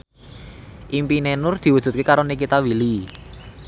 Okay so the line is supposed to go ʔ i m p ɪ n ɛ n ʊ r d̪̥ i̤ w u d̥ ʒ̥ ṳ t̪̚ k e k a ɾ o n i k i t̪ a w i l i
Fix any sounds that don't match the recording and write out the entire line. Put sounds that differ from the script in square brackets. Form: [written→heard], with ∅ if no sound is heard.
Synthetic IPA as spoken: ʔ i m p [ɪ→i] n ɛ n ʊ r d̪̥ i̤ w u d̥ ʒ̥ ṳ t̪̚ k e k a ɾ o n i k i t̪ a w i l i